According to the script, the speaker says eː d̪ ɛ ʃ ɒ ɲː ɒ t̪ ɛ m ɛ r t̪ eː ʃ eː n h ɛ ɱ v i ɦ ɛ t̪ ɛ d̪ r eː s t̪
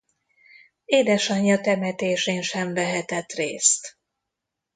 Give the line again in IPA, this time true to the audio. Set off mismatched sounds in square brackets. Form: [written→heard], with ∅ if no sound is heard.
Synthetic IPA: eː d̪ ɛ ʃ ɒ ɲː ɒ t̪ ɛ m ɛ [r→∅] t̪ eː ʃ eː n [h→ʃ] ɛ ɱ v [i→ɛ] ɦ ɛ t̪ ɛ [d̪→t̪] r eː s t̪

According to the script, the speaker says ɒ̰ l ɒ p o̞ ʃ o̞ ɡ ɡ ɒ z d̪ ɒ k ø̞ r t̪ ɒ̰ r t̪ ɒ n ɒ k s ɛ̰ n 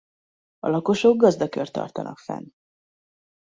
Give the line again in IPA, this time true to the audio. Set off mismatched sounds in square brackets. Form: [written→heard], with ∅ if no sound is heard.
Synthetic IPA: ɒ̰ l ɒ [p→k] o̞ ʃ o̞ ɡ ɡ ɒ z d̪ ɒ k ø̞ r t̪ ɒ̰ r t̪ ɒ n ɒ k [s→f] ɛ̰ n

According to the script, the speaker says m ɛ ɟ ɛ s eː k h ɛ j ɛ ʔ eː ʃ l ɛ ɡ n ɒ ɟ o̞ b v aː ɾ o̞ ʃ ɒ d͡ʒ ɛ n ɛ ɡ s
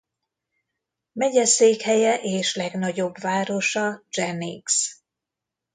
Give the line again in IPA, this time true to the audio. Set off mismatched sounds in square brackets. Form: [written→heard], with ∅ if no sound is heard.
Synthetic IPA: m ɛ ɟ ɛ s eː k h ɛ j ɛ ʔ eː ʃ l ɛ ɡ n ɒ ɟ o̞ b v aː ɾ o̞ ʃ ɒ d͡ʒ ɛ n [ɛ→i] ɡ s

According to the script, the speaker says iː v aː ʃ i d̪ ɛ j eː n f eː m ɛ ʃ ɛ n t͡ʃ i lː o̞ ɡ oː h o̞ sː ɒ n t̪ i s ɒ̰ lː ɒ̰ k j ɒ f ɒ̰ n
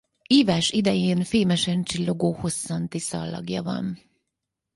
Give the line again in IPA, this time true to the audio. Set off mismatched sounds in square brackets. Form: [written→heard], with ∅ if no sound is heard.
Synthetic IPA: iː v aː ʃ i d̪ ɛ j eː n f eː m ɛ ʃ ɛ n t͡ʃ i lː o̞ ɡ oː h o̞ sː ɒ n t̪ i s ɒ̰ lː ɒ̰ [k→ɡ] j ɒ [f→v] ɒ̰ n

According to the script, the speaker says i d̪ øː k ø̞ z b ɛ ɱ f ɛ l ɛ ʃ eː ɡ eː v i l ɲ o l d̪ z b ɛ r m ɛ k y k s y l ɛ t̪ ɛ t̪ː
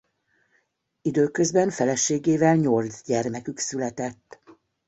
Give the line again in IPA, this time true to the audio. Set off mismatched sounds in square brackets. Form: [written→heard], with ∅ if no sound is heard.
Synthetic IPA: i d̪ øː k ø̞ z b ɛ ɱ f ɛ l ɛ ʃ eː ɡ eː v [i→ɛ] l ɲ o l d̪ z [b→ɟ] ɛ r m ɛ k y k s y l ɛ t̪ ɛ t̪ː

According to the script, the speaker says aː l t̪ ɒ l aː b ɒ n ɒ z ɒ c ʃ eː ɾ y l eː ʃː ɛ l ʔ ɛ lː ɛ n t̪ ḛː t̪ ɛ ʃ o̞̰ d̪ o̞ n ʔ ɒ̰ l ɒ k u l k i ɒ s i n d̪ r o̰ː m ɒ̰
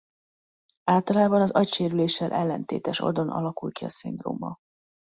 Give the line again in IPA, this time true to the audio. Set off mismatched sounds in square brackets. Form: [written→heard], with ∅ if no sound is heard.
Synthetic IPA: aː l t̪ ɒ l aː b ɒ n ɒ z ɒ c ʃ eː ɾ y l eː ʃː ɛ l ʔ ɛ lː ɛ n t̪ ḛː t̪ ɛ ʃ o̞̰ d̪ o̞ n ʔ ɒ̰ l ɒ k u l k i ɒ s i n d̪ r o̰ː m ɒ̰

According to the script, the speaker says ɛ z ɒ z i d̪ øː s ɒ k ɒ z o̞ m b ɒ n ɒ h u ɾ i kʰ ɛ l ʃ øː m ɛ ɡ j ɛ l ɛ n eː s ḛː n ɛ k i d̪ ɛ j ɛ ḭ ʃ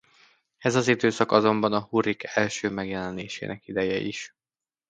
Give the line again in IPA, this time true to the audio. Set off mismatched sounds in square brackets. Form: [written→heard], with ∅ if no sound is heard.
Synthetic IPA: ɛ z ɒ z i d̪ øː s ɒ k ɒ z o̞ m b ɒ n ɒ h u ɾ i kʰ ɛ l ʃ øː m ɛ ɡ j ɛ l ɛ n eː [s→ʃ] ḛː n ɛ k i d̪ ɛ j ɛ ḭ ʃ

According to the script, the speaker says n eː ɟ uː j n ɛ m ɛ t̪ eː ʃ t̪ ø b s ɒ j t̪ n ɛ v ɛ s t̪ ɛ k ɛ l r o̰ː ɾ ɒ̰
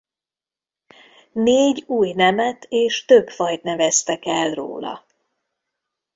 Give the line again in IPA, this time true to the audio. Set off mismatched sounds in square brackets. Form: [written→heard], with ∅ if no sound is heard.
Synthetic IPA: n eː ɟ uː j n ɛ m ɛ t̪ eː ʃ t̪ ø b [s→f] ɒ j t̪ n ɛ v ɛ s t̪ ɛ k ɛ l r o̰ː [ɾ→l] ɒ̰

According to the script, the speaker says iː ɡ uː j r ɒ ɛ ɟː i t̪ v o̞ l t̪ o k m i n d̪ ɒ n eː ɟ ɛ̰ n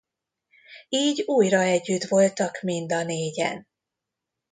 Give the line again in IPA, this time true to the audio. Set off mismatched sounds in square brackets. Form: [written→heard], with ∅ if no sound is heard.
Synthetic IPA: iː [ɡ→ɟ] uː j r ɒ ɛ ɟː [i→y] t̪ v o̞ l t̪ [o→ɒ] k m i n d̪ ɒ n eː ɟ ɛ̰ n

